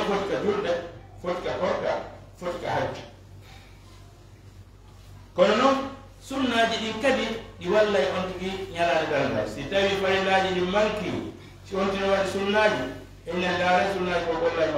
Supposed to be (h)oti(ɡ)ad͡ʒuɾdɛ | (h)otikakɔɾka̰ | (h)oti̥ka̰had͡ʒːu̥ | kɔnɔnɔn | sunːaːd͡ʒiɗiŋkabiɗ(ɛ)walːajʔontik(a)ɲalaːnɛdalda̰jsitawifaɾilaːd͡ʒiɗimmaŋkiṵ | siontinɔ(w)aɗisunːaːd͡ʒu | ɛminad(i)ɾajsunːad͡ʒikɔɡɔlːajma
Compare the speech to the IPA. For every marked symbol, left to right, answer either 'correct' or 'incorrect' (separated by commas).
incorrect, incorrect, incorrect, incorrect, incorrect, incorrect, correct, incorrect